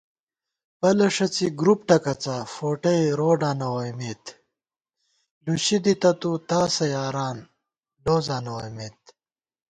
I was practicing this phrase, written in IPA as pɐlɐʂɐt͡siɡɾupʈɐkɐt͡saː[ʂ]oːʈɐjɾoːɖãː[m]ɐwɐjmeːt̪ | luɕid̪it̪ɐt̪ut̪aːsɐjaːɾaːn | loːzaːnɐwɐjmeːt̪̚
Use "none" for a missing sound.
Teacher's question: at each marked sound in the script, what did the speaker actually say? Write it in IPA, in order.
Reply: f, n

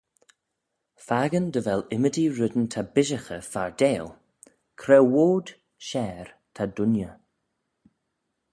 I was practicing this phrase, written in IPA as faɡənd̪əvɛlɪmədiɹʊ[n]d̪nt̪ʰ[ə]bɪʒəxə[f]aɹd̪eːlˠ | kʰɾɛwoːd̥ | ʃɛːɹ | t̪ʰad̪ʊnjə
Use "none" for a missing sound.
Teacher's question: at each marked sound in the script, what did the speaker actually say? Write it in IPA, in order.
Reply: none, a, f

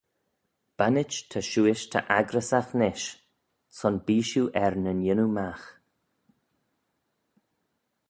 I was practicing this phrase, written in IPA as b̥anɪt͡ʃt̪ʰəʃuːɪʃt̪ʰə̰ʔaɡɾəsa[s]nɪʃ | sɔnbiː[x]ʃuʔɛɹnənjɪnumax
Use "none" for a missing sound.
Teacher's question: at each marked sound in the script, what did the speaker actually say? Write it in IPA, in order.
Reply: x, none

